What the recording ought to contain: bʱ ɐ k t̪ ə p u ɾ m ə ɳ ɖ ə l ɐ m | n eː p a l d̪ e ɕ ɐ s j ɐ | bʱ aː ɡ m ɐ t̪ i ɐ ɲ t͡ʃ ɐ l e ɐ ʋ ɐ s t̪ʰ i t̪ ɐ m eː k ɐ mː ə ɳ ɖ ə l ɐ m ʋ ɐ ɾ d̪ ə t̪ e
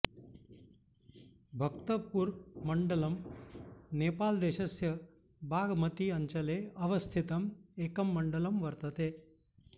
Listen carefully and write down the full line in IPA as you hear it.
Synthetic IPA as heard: bʱ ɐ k t̪ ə p u ɾ m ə ɳ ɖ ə l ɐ m | n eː p a l d̪ e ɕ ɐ s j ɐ | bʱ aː ɡ m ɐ t̪ i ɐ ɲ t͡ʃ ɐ l e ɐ ʋ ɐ s t̪ʰ i t̪ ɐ m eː k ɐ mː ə ɳ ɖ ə l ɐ m ʋ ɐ ɾ t̪ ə t̪ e

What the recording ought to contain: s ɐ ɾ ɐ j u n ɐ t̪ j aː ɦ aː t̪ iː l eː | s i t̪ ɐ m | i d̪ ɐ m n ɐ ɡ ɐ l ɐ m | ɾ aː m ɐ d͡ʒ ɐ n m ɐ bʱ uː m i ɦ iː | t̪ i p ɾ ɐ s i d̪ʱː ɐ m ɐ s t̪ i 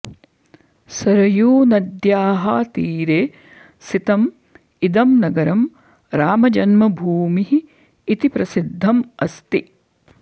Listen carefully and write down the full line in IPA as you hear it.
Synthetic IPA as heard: s ɐ ɾ ɐ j uː n ɐ d̪ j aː ɦ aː t̪ iː ɾ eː | s i t̪ ɐ m | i d̪ ɐ m n ɐ ɡ ɐ ɾ ɐ m | ɾ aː m ɐ d͡ʒ ɐ n m ɐ bʱ uː m i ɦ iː | t̪ i p ɾ ɐ s i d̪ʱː ɐ m ɐ s t̪ i

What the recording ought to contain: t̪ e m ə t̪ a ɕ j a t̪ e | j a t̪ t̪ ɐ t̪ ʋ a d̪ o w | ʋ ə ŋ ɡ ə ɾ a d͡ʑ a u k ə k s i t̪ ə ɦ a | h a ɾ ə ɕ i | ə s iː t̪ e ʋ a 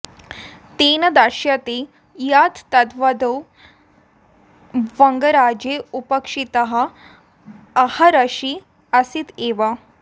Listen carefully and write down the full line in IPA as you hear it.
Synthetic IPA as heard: t̪ e n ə d̪ a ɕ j a t̪ e | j a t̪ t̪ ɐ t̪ ʋ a d̪ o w | ʋ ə ŋ ɡ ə ɾ a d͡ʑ e u p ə k ʂ i t̪ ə ɦ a | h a ɾ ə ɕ i | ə s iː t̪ e ʋ a

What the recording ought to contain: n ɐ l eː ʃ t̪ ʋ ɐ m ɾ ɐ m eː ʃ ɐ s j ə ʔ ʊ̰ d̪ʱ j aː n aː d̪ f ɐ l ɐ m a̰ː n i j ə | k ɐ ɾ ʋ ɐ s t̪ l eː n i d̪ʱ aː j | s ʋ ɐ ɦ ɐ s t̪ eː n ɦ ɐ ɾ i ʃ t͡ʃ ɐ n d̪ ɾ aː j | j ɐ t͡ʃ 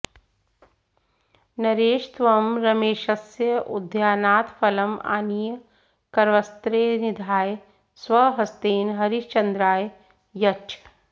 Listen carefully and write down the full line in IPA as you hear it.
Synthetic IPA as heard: n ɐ ɾ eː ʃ t̪ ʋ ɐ m ɾ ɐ m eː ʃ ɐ s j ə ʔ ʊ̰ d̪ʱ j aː n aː t̪ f ɐ l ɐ m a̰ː n i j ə | k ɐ ɾ ʋ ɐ s t̪ ɾ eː n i d̪ʱ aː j | s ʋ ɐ ɦ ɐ s t̪ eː n ɦ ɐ ɾ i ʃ t͡ʃ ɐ n d̪ ɾ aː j | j ɐ t͡ʃ

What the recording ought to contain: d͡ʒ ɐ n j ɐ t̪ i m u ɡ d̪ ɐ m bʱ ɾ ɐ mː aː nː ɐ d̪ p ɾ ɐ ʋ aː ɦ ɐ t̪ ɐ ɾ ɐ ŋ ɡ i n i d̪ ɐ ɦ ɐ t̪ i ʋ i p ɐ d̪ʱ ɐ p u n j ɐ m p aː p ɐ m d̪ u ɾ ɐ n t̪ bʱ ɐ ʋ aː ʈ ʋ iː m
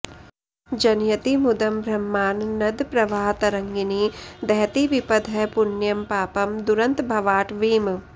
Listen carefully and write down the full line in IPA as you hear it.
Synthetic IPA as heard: d͡ʒ ɐ n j ɐ t̪ i m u d̪ ɐ m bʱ ɾ ɐ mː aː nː ɐ d̪ p ɾ ɐ ʋ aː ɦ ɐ t̪ ɐ ɾ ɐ ŋ ɡ i n i d̪ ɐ ɦ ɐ t̪ i ʋ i p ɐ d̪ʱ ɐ p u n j ɐ m p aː p ɐ m d̪ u ɾ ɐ n t̪ bʱ ɐ ʋ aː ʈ ʋ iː m

